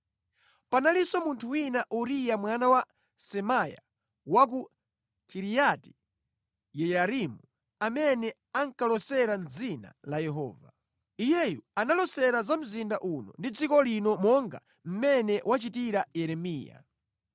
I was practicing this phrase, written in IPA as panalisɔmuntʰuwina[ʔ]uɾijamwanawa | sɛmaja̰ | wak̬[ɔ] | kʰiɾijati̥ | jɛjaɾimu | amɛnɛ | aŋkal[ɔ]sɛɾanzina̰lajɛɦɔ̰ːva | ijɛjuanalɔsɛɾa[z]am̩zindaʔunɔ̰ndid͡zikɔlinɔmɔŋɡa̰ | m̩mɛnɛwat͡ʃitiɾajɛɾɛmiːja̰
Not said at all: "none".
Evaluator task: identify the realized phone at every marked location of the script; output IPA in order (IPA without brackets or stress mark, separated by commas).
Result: ʔ, u, ɔ, z